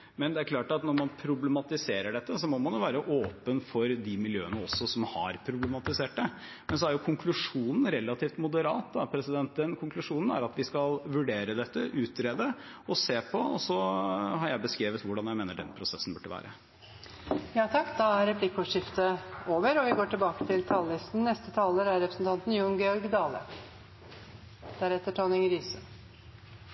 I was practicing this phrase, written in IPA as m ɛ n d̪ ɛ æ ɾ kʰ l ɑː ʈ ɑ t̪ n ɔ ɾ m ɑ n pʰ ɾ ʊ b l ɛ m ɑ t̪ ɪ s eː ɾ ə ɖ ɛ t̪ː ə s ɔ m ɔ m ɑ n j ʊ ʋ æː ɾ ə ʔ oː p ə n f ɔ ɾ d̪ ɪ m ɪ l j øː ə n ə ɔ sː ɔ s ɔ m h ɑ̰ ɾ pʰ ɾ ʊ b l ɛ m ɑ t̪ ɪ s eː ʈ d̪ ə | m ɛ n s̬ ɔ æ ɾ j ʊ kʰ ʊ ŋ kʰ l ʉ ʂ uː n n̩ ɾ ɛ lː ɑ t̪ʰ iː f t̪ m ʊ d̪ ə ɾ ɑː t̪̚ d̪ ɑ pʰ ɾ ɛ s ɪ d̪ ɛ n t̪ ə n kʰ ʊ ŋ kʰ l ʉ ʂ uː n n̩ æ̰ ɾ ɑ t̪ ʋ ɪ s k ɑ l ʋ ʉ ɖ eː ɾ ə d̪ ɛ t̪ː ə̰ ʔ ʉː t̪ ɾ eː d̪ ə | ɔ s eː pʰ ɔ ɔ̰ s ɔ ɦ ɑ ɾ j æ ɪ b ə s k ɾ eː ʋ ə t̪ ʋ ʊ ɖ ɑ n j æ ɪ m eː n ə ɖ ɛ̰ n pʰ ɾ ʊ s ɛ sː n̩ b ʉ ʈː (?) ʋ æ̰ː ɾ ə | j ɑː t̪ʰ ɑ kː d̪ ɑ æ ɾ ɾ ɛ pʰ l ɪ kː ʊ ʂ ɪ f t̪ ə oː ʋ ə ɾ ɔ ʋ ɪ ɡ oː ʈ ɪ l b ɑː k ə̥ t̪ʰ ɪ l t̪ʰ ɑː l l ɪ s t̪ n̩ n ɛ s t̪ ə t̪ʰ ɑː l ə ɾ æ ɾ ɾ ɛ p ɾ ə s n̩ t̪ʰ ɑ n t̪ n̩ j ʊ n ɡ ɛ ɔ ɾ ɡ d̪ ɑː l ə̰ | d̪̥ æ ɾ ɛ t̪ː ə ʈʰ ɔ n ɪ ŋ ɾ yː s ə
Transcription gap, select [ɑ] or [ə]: ə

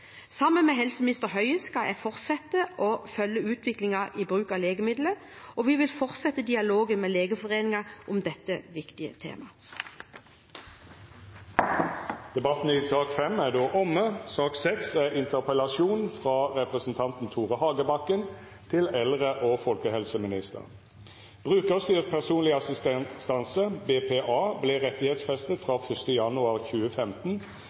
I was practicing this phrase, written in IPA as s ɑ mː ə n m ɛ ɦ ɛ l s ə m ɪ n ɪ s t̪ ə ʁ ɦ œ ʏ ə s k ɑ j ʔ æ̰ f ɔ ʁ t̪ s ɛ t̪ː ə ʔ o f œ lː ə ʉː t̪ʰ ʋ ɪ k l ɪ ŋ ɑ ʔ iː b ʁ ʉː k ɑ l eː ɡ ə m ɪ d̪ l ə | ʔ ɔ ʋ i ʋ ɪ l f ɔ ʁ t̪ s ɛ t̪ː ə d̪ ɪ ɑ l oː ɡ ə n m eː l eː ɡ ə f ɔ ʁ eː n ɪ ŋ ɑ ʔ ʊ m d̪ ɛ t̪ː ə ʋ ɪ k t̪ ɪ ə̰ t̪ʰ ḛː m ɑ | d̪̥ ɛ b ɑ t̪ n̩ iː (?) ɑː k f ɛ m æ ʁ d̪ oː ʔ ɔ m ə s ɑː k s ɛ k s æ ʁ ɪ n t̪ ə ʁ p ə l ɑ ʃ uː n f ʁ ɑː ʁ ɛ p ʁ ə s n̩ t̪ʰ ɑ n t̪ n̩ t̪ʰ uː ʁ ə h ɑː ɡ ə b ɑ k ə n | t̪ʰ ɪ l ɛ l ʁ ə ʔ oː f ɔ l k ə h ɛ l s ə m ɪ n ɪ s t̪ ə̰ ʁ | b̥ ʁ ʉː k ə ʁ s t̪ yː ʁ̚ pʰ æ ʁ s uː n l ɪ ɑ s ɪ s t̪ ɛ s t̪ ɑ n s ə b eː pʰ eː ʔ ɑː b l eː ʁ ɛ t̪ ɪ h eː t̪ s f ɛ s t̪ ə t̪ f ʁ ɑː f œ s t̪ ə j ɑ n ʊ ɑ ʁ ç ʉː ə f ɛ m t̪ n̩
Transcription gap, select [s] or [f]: s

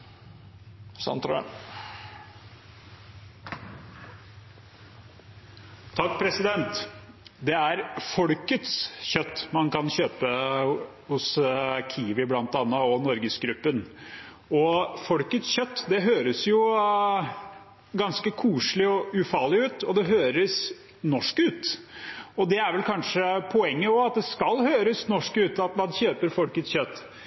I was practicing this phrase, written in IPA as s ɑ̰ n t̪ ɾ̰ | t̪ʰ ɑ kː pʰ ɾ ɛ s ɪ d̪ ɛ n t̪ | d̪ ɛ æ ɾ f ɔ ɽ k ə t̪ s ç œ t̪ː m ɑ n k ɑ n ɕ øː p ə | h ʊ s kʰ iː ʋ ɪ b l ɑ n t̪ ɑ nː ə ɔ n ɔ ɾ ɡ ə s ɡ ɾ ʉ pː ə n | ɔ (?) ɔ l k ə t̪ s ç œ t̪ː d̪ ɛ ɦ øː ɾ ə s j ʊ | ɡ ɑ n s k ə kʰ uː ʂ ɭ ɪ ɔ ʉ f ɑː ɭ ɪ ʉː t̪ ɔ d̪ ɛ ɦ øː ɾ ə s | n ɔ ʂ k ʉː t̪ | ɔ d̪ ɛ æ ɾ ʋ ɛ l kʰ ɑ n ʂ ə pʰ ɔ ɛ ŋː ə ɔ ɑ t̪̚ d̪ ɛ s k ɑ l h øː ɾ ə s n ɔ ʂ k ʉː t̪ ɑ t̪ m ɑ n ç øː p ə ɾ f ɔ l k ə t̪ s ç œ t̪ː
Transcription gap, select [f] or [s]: f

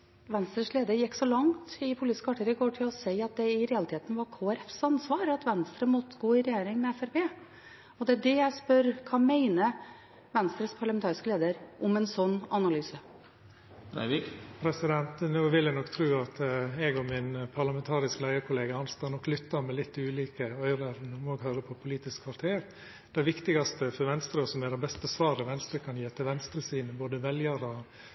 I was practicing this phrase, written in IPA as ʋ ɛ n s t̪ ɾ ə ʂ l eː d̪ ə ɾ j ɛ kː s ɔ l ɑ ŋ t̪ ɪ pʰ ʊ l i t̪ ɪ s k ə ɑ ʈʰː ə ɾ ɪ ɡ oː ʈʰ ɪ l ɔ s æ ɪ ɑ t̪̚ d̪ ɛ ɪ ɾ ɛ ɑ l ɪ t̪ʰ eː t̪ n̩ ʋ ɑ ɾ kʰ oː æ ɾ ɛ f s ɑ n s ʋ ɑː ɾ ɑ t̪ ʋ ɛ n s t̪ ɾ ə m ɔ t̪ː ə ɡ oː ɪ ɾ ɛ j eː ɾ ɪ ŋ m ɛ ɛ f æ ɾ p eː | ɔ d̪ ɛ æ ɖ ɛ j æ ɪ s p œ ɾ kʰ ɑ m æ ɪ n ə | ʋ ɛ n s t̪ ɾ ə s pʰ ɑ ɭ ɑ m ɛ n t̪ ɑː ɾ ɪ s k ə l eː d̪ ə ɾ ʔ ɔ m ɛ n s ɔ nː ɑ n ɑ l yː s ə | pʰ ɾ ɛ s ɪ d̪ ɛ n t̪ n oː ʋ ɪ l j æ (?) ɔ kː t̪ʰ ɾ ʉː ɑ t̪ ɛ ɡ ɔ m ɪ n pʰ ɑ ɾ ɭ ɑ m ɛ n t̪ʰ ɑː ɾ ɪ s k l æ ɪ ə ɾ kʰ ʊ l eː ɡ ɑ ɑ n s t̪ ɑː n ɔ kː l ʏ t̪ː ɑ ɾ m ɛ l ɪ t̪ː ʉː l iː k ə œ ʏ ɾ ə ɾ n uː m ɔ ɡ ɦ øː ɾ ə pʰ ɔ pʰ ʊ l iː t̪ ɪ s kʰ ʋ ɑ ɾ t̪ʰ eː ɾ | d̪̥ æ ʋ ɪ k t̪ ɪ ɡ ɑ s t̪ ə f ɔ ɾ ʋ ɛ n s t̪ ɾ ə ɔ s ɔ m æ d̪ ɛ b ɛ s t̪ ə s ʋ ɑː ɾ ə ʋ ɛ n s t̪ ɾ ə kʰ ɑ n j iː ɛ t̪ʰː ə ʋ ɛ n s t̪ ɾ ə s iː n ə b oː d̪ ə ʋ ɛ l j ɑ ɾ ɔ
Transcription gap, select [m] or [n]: n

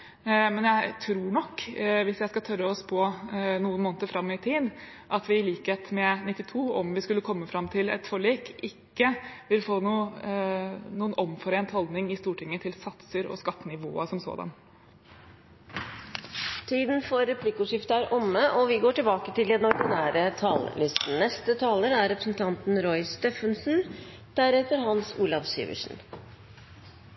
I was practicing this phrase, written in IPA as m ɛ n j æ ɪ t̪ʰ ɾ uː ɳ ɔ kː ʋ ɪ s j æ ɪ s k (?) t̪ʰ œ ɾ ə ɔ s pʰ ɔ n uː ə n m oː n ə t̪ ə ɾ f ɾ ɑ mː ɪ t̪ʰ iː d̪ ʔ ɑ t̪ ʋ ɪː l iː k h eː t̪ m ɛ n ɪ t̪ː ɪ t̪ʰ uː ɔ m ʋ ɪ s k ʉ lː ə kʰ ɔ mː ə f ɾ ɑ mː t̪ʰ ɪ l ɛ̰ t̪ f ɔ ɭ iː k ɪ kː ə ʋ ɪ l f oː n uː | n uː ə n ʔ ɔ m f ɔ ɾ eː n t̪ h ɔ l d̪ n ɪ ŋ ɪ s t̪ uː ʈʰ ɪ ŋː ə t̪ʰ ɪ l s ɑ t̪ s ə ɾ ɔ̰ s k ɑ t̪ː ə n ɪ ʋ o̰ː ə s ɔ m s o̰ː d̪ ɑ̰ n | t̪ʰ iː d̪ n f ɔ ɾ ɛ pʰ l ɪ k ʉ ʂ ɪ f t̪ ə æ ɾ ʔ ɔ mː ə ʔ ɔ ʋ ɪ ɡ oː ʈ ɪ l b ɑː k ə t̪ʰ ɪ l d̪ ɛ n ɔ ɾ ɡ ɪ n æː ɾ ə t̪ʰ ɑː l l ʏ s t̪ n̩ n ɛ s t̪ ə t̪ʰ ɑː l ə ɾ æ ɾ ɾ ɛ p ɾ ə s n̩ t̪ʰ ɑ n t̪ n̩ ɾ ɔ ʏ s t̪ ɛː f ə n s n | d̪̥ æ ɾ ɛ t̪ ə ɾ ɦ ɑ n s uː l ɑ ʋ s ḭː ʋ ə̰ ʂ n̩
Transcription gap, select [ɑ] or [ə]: ɑ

